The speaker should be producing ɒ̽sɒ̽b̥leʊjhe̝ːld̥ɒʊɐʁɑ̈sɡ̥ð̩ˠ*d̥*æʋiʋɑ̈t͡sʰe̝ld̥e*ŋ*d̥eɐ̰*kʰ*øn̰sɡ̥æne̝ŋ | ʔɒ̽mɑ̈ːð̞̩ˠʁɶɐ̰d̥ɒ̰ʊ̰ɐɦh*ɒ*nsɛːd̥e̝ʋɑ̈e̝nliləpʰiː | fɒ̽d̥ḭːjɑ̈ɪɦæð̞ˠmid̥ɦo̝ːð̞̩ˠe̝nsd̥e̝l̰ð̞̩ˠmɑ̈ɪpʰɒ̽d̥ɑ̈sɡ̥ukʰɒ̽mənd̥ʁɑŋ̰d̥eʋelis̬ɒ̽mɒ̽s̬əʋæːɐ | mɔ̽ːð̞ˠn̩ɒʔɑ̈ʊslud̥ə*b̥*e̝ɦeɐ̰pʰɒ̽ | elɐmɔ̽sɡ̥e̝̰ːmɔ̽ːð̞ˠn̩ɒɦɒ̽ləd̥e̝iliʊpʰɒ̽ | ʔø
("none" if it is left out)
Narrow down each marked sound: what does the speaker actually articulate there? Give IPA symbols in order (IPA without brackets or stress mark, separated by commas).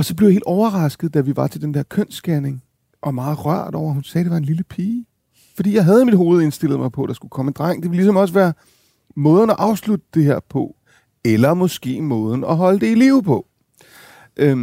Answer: d̥, n, kʰ, u, d̥